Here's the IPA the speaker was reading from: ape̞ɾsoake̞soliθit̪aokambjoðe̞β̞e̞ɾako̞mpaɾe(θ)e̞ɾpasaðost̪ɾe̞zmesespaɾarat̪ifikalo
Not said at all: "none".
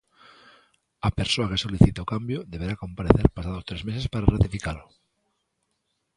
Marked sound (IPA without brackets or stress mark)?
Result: θ